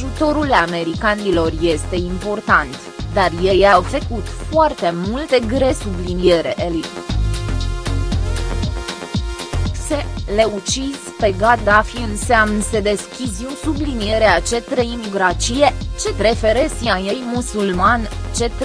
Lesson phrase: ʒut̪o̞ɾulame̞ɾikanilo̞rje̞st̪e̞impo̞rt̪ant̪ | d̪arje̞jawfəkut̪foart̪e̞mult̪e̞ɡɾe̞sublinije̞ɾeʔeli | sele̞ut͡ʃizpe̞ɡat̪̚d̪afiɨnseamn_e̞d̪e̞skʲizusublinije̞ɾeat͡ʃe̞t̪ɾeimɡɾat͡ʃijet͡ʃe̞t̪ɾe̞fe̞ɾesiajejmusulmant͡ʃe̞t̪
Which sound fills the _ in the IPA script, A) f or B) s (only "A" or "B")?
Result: B